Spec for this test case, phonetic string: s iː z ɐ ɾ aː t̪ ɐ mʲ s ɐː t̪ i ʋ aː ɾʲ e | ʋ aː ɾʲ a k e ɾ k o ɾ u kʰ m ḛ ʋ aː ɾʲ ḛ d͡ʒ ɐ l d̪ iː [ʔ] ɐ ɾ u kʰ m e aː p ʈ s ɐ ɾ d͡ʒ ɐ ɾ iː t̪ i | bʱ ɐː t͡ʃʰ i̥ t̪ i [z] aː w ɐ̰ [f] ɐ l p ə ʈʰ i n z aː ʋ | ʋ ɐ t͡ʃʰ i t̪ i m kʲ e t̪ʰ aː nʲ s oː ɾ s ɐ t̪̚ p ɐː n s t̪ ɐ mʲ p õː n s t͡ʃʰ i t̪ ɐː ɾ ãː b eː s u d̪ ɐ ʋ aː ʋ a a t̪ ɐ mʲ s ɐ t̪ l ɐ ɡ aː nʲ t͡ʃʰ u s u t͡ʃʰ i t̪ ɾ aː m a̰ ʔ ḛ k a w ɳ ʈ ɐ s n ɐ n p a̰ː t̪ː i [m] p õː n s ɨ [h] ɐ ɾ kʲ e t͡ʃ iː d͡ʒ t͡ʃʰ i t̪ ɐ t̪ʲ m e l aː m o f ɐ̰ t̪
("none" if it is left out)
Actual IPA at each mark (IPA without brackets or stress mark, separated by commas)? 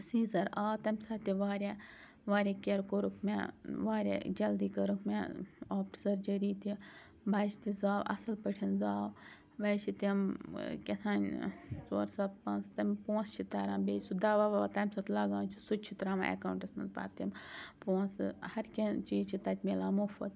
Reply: k, z, s, m, h